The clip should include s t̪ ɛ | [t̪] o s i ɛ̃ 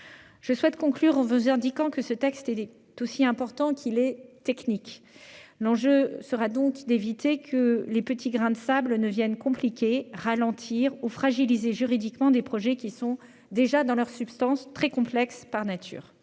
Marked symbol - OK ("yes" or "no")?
yes